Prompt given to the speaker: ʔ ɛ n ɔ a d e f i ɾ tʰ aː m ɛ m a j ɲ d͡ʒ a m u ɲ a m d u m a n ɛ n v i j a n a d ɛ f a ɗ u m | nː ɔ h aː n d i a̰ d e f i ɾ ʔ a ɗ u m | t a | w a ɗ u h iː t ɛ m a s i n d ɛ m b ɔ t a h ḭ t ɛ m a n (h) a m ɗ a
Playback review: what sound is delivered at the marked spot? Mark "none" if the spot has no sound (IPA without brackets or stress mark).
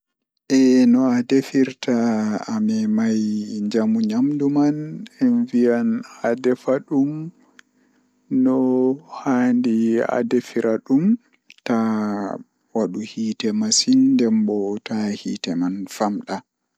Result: f